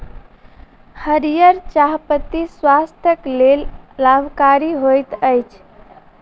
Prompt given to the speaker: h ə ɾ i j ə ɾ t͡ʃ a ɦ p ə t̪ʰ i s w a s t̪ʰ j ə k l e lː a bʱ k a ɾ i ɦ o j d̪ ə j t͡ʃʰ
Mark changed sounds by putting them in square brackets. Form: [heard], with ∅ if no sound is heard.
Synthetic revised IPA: h ə ɾ i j ə ɾ t͡ʃ a ɦ p ə [t̪] i s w a s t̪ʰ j ə k l e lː a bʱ k a ɾ i ɦ o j [t̪] ə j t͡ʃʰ

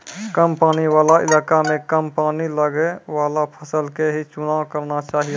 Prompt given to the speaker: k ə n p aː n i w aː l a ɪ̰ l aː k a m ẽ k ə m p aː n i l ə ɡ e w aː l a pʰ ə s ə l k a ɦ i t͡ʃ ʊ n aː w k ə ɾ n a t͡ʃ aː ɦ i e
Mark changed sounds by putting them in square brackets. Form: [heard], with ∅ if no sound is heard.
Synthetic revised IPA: k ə [m] p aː n i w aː l a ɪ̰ l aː k a m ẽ k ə m p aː n i l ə ɡ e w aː l a pʰ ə s ə l k [e] ɦ i t͡ʃ ʊ n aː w k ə ɾ n a t͡ʃ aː ɦ i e

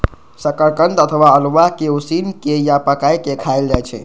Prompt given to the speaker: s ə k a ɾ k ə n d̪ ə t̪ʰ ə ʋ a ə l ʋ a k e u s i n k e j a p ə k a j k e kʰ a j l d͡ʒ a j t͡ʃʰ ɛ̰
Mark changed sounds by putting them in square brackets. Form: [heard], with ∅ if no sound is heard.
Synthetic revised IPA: s ə k [ə] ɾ k ə n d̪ ə t̪ʰ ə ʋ a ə l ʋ a k e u s i n k e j a p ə k a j k e kʰ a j l d͡ʒ a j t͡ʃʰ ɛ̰

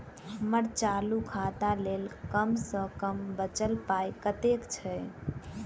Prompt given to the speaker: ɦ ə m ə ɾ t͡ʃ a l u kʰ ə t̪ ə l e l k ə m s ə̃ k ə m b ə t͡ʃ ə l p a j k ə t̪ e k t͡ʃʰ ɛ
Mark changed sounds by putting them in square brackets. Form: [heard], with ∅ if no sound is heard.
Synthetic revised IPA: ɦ ə m ə ɾ t͡ʃ a l u kʰ [a] t̪ [a] l e l k ə m s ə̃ k ə m b ə t͡ʃ ə l p a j k ə t̪ e k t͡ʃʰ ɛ

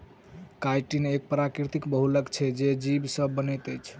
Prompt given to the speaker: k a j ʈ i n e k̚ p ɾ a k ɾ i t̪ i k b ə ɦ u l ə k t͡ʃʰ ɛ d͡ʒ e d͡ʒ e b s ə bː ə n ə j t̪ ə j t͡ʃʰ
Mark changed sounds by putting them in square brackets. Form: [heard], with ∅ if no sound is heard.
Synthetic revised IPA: k a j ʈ i n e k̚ p ɾ a k ɾ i t̪ i k b ə ɦ u l ə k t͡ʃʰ ɛ d͡ʒ e d͡ʒ [i] b s ə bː ə n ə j t̪ ə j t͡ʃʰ

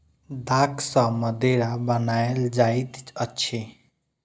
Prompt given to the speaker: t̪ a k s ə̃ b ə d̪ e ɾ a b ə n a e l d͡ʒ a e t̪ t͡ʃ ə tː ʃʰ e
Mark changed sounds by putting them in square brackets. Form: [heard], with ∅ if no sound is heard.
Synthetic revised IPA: [d̪] a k s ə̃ [m] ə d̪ e ɾ a b ə n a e l d͡ʒ a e t̪ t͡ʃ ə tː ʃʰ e

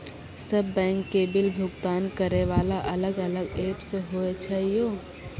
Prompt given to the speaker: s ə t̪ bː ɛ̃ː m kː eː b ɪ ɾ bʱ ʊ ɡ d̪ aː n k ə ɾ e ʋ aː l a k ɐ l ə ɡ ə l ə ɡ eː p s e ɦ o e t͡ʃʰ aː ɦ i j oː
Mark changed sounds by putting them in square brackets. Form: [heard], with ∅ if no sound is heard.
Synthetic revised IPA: s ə [∅] bː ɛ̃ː [ŋ] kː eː b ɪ [l] bʱ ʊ ɡ [t̪] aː n k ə ɾ e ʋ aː l a [ʔ] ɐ l ə ɡ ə l ə ɡ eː p s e ɦ o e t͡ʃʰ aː ɦ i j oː

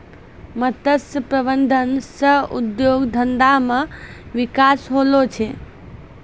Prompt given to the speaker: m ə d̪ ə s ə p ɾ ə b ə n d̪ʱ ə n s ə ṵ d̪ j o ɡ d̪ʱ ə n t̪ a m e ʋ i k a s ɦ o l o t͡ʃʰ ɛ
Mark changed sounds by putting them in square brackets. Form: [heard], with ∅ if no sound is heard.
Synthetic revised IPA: m ə [t̪] ə s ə p ɾ ə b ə n d̪ʱ ə n s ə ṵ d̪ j o ɡ d̪ʱ ə n [d̪] a m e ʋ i k a s ɦ o l o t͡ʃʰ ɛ

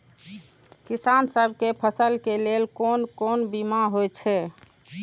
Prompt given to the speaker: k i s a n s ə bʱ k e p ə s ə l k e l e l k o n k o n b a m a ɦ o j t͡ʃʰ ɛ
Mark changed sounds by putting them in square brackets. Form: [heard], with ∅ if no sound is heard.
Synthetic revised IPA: k i s a n s ə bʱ k e [pʰ] ə s ə l k e l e l k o n k o n b [i] m a ɦ o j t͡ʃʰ ɛ

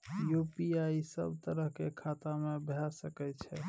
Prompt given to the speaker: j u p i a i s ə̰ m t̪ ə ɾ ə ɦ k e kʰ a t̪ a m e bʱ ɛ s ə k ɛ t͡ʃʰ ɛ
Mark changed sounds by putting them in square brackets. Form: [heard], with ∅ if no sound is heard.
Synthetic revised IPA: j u p i a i s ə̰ [b] t̪ ə ɾ ə ɦ k e kʰ a t̪ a m e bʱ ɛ s ə k ɛ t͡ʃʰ ɛ

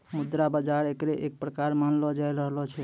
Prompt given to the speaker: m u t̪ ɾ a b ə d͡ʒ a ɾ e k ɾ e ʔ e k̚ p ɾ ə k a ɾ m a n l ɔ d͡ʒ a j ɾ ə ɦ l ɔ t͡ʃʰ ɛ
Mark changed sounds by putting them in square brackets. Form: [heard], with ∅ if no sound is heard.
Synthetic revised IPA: m u [d̪] ɾ a b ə d͡ʒ a ɾ e k ɾ e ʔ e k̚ p ɾ ə k a ɾ m a n l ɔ d͡ʒ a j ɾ ə ɦ l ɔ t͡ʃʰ ɛ

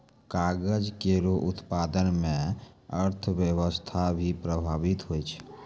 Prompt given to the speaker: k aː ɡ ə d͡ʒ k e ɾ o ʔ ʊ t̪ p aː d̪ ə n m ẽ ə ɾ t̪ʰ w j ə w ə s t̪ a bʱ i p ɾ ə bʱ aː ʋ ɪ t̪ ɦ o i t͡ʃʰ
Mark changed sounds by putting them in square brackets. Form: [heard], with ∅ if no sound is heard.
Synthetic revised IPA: k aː ɡ ə d͡ʒ k e ɾ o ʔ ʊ t̪ p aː d̪ ə n m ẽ ə ɾ t̪ʰ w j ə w ə s [t̪ʰ] a bʱ i p ɾ ə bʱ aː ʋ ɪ t̪ ɦ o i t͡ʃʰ

